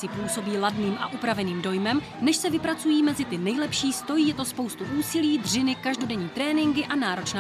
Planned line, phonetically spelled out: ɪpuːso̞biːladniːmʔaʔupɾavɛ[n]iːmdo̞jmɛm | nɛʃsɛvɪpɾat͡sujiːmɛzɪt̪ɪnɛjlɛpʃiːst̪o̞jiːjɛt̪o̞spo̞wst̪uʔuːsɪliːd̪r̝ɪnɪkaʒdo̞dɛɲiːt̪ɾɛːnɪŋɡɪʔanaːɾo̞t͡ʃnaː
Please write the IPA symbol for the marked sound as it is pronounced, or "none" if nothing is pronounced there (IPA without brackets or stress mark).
n